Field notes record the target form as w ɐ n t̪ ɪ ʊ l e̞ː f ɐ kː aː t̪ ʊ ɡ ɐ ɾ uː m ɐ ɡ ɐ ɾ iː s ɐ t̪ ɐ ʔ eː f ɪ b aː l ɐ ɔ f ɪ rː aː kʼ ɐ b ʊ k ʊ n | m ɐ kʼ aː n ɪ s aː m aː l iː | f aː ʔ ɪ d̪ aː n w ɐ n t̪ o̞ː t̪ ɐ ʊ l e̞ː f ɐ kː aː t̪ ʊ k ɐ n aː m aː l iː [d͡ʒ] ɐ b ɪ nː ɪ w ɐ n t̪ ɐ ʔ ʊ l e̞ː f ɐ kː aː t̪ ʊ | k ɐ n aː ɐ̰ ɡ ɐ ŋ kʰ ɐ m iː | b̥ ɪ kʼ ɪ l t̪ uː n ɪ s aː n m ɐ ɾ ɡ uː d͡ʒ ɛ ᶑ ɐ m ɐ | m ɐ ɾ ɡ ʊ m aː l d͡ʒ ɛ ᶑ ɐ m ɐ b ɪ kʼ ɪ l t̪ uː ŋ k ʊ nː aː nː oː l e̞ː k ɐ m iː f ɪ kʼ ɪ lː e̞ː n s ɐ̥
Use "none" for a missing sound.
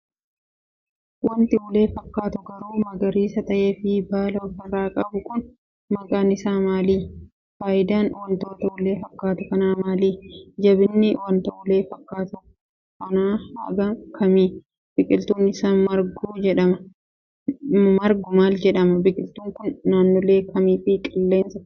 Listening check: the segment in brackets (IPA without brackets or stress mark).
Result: d͡ʒ